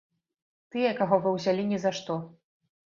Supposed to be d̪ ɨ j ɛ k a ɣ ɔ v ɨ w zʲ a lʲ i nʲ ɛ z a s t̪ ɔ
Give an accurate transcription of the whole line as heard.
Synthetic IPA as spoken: t̪ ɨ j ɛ k a ɣ ɔ v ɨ w zʲ a lʲ i nʲ ɛ z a ʂ t̪ ɔ